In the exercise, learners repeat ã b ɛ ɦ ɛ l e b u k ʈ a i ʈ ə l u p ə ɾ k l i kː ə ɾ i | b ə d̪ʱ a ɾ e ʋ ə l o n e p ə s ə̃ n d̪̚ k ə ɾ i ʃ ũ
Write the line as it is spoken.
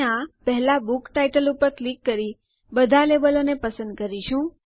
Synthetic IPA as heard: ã p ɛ ɦ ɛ l a b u k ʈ a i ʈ ə l u p ə ɾ k l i kː ə ɾ i | b ə d̪ʱ a l e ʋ ə l o n e p ə s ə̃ n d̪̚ k ə ɾ i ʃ ũ